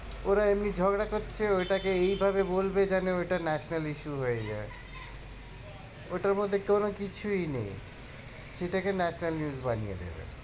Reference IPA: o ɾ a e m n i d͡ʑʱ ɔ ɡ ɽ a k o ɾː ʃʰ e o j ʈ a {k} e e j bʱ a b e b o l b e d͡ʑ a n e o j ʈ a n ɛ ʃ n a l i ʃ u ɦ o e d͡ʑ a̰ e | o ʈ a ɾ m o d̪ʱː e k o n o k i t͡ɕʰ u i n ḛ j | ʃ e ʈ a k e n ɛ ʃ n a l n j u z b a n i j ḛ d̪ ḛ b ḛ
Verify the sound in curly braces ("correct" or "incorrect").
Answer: correct